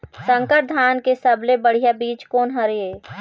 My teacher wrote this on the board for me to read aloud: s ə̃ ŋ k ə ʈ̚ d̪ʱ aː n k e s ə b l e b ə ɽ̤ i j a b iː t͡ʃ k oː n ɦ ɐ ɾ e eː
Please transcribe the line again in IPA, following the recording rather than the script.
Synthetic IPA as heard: s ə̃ ŋ k ə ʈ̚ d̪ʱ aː n k e s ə b l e b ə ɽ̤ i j a b iː t͡ʃ k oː n ɦ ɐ ɾ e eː